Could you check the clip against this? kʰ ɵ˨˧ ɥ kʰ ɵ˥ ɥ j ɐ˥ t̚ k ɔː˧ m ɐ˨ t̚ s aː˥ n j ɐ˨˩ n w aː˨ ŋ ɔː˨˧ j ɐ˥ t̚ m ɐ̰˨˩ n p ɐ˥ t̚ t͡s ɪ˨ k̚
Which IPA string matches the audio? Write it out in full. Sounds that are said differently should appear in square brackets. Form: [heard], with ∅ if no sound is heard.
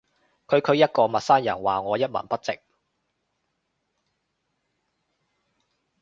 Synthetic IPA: kʰ ɵ˨˧ ɥ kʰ [ɵ˨˧] ɥ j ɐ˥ t̚ k ɔː˧ m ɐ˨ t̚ s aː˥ n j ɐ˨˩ n w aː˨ ŋ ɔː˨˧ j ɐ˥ t̚ m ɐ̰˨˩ n p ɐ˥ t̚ t͡s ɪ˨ k̚